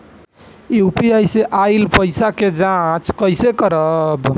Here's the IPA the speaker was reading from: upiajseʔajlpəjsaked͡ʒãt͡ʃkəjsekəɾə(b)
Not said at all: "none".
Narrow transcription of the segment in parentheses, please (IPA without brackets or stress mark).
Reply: b